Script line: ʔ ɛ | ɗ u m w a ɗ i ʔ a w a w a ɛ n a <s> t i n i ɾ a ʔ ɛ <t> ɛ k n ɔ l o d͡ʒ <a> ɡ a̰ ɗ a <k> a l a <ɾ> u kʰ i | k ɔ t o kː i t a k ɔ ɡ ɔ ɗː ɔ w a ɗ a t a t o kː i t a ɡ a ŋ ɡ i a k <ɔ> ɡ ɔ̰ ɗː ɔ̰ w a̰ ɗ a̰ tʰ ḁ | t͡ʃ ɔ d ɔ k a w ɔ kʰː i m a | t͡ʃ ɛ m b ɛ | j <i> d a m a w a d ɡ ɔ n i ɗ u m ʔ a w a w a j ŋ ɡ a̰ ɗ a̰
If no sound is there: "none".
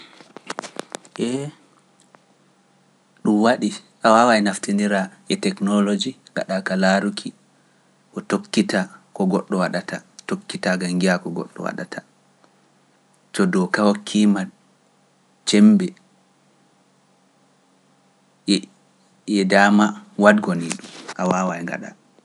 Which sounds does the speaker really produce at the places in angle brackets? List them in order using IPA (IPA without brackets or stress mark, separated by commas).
f, t, i, k, ɾ, ɔ, ɛ